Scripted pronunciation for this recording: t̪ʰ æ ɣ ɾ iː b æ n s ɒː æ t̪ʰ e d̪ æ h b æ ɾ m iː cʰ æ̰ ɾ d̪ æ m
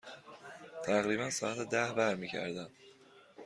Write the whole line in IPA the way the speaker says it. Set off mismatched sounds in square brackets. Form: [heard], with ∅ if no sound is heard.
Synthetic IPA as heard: t̪ʰ æ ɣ ɾ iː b æ n s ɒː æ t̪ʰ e d̪ æ h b æ ɾ m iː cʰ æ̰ ɾ d̪ æ m